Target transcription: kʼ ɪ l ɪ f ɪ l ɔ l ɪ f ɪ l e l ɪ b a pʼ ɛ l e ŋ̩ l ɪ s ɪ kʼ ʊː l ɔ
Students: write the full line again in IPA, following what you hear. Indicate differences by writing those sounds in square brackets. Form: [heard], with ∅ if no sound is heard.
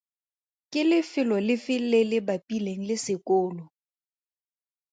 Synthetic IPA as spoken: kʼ ɪ l ɪ f ɪ l ɔ l ɪ f ɪ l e l ɪ b a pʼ [i] l e ŋ̩ l ɪ s ɪ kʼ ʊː l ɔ